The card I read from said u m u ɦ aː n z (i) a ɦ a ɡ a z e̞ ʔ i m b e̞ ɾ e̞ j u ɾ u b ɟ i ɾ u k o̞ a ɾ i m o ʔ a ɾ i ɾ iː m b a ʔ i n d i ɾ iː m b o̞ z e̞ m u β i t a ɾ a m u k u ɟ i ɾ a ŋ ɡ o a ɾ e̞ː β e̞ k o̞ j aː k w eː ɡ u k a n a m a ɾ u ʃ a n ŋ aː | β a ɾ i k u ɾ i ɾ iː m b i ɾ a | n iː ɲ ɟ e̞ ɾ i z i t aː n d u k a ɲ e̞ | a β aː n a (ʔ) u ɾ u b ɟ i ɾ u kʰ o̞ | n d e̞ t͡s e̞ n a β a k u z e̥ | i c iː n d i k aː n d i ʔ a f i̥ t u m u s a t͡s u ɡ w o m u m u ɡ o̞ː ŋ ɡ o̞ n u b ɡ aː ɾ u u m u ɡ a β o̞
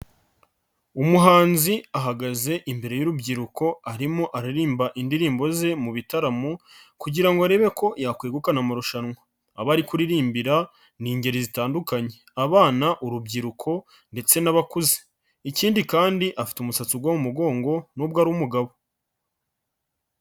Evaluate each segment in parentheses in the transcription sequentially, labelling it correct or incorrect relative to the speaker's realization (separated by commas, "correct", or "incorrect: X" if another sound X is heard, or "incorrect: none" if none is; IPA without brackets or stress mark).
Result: correct, correct